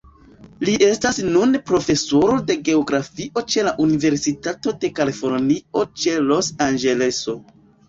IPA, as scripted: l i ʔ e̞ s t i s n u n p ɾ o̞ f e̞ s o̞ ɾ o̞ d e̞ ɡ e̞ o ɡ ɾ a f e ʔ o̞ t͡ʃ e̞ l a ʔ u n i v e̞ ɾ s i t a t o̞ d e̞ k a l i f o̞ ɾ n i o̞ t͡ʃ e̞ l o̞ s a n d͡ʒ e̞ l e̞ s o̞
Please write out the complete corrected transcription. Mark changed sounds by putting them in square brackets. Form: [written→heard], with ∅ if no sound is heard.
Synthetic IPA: l i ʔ e̞ s t [i→a] s n u n p ɾ o̞ f e̞ s o̞ ɾ o̞ d e̞ ɡ e̞ o ɡ ɾ a f [e→i] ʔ o̞ t͡ʃ e̞ l a ʔ u n i v e̞ ɾ s i t a t o̞ d e̞ k a l i f o̞ ɾ n i o̞ t͡ʃ e̞ l o̞ s a n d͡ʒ e̞ l e̞ s o̞